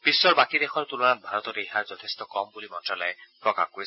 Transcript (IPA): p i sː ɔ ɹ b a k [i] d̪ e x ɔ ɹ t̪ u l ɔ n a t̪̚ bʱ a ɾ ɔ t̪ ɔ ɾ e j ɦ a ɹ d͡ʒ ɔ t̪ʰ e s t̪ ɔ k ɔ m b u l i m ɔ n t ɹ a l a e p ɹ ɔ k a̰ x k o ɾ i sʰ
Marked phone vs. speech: correct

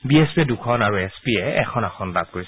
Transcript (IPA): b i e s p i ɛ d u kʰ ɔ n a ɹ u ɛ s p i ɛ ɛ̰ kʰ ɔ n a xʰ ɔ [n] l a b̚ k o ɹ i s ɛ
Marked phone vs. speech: correct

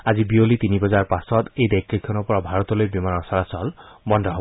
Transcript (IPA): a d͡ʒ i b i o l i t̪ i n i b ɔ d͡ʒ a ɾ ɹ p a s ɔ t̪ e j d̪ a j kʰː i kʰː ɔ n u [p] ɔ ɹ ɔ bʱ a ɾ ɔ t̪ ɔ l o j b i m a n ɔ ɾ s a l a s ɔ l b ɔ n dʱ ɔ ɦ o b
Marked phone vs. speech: correct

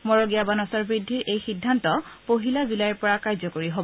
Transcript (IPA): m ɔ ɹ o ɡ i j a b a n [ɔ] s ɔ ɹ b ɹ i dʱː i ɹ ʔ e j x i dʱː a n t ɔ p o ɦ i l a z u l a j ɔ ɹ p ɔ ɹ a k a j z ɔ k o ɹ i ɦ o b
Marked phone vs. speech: correct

